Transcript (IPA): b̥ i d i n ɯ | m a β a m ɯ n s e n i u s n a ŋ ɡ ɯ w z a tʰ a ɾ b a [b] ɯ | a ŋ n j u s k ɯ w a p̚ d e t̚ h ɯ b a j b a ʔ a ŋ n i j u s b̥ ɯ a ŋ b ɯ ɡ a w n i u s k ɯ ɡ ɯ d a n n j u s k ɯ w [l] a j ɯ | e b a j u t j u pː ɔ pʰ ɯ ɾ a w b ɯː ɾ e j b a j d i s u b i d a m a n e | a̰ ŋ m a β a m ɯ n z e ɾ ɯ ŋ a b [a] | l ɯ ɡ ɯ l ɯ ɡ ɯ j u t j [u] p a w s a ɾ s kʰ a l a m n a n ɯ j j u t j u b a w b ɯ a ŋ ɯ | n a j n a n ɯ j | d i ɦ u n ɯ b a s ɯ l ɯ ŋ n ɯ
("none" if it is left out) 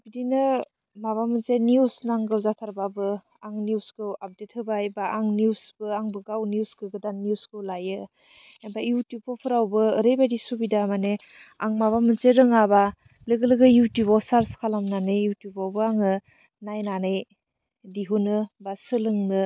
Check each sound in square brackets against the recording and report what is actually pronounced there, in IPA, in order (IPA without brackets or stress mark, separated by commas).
b, l, a, u